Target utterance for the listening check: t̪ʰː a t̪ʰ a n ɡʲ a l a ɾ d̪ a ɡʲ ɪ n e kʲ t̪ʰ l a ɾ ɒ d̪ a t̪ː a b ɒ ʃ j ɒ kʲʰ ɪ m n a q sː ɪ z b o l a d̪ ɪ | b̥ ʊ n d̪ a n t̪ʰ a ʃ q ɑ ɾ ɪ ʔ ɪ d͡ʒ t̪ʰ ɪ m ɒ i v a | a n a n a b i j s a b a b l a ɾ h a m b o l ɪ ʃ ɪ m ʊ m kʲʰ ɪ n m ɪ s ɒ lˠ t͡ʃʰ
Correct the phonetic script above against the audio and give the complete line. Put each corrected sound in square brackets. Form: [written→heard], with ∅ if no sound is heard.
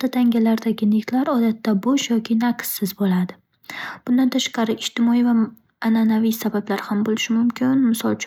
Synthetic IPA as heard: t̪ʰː a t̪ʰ a [n→ŋ] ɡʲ a l a ɾ d̪ a ɡʲ ɪ n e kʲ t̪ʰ l a ɾ ɒ d̪ a t̪ː a b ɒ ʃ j ɒ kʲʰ ɪ [m→∅] n a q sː ɪ z b o l a d̪ ɪ | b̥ ʊ n d̪ a n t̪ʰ a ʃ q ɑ ɾ ɪ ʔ ɪ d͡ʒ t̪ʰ ɪ m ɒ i v a | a n a n a [b→v] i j s a b a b l a ɾ h a m b o l ɪ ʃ ɪ m ʊ m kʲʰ ɪ n m ɪ s ɒ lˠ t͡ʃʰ